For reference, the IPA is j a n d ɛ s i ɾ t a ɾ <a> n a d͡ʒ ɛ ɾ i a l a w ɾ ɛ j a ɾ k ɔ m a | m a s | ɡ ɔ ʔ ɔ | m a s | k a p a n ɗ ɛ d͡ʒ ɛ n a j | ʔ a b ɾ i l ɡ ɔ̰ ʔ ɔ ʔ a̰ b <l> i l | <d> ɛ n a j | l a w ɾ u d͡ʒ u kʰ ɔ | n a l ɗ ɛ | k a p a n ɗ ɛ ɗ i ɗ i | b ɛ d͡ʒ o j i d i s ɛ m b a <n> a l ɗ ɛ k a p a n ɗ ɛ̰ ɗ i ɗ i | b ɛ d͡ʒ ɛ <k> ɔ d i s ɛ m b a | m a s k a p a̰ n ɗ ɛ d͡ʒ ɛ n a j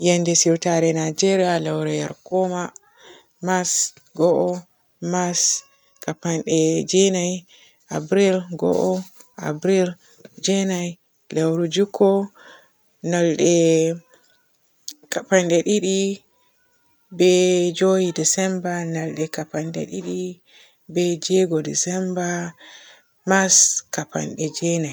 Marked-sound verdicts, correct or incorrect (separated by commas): incorrect, incorrect, incorrect, correct, incorrect